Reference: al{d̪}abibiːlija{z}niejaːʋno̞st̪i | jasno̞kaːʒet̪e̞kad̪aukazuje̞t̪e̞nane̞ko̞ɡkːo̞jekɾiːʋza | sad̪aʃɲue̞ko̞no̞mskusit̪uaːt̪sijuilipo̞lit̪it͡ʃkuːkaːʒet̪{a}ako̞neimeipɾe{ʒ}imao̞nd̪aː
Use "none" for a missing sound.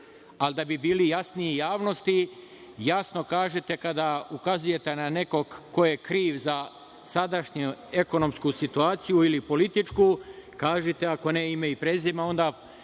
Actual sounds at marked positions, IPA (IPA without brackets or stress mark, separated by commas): d̪, s, e, z